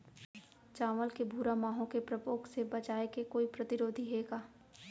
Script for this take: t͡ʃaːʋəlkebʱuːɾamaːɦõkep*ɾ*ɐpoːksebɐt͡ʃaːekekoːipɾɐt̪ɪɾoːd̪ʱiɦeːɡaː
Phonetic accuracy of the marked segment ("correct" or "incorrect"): correct